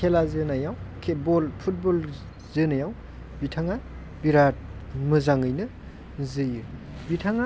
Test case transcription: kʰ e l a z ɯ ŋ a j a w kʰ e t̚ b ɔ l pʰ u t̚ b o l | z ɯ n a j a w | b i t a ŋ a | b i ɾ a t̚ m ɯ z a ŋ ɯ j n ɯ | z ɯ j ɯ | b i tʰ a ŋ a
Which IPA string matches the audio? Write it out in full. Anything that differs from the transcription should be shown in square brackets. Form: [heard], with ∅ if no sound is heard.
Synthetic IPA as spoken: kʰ e l a z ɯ [n] a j a w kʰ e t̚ b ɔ l pʰ u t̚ b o l | z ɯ n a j a w | b i [tʰ] a ŋ a | b i ɾ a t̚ m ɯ z a ŋ ɯ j n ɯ | z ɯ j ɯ | b i tʰ a ŋ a